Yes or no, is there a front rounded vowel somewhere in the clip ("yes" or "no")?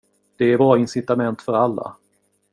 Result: yes